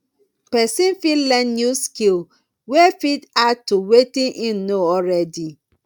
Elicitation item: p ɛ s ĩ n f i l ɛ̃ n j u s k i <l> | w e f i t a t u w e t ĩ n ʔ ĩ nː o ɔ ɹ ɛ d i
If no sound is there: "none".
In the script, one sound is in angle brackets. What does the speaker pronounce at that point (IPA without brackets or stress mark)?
l